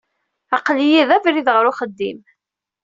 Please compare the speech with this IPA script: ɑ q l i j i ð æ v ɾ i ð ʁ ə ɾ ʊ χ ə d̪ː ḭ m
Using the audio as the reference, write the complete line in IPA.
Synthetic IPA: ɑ q l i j i ð æ v ɾ i ð ʁ ə ɾ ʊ χ ə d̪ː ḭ m